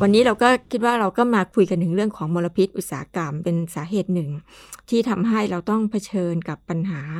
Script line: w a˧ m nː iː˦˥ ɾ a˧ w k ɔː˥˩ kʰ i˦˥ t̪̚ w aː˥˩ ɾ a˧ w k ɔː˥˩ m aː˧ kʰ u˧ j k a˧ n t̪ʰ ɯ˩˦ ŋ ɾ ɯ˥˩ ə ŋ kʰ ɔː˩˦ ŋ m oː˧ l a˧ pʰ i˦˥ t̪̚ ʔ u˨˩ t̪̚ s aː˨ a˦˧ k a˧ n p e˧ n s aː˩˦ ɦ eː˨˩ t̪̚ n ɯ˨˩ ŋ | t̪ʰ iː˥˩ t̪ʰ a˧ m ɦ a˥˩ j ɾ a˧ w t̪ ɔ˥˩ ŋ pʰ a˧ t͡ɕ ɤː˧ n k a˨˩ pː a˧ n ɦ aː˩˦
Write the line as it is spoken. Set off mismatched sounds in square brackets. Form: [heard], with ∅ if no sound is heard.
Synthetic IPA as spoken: w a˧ [∅] nː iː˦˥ ɾ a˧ w k ɔː˥˩ kʰ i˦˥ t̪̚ w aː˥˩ ɾ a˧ w k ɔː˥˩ m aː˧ kʰ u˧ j k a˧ n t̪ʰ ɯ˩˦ ŋ ɾ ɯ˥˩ ə ŋ kʰ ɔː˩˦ ŋ m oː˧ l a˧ pʰ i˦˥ t̪̚ ʔ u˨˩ t̪̚ s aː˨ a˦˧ k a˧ [m] p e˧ n s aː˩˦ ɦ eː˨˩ t̪̚ n ɯ˨˩ ŋ | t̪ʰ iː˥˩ t̪ʰ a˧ m ɦ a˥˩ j ɾ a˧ w t̪ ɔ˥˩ ŋ pʰ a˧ [t͡ɕʰ] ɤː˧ n k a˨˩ pː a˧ n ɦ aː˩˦